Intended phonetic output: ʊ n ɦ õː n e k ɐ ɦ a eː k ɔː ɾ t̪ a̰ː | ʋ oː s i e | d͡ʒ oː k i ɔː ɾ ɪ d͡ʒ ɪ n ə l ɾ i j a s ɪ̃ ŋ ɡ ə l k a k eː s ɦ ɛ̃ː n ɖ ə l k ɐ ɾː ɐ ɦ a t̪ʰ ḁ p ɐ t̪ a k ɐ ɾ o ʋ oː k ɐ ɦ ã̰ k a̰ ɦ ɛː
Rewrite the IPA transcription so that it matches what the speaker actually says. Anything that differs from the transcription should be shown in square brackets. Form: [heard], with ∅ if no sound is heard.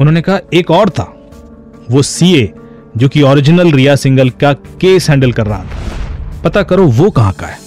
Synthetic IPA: ʊ n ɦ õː n e k ɐ ɦ a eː k ɔː ɾ [t̪ʰ] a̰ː | ʋ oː s i e | d͡ʒ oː k i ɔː ɾ ɪ d͡ʒ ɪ n ə l ɾ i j a s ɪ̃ ŋ ɡ ə l k a k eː s ɦ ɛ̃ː [ɳ] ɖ ə l k ɐ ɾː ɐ ɦ a t̪ʰ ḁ p ɐ t̪ a k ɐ ɾ o ʋ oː k ɐ ɦ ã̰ k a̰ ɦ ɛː